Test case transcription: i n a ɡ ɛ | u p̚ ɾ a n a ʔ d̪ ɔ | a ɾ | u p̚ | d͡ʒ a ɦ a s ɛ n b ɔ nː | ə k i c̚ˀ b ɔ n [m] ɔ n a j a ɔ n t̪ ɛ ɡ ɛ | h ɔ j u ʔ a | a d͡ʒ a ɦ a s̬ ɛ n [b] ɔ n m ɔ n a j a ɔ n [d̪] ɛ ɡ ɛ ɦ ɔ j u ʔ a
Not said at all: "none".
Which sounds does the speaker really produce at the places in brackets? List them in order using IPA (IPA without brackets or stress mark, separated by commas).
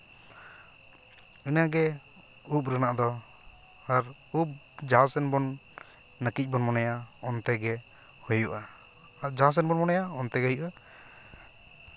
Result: m, b, t̪